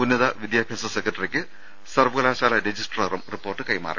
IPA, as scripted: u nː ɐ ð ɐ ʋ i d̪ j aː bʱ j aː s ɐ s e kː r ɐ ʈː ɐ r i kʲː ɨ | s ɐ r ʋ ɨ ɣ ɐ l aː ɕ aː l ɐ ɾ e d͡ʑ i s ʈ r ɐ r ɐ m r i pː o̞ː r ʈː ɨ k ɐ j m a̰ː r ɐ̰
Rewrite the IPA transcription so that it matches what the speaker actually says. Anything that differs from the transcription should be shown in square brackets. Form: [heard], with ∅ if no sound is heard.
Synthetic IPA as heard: u nː ɐ ð ɐ ʋ i d̪ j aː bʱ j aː s ɐ s e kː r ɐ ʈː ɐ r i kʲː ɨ | s ɐ r ʋ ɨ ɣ ɐ l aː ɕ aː l ɐ ɾ e d͡ʑ i s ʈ r ɐ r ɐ m r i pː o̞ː r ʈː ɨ k ɐ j m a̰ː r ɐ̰